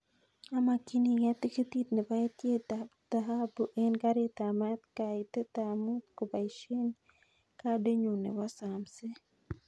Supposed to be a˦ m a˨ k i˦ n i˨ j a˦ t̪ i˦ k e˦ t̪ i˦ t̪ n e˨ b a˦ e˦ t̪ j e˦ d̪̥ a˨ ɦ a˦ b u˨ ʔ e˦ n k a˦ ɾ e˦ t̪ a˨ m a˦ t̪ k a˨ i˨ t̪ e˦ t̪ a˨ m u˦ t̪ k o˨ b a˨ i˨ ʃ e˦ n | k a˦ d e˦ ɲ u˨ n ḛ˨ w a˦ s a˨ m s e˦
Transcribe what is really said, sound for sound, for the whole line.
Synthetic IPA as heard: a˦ m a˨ k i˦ n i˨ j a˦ t̪ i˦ k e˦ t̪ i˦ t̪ n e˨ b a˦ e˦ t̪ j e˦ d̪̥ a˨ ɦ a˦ b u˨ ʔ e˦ n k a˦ ɾ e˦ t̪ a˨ m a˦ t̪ k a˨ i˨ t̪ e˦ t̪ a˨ m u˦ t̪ k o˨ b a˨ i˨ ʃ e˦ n | k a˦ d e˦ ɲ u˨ n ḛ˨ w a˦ s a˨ m s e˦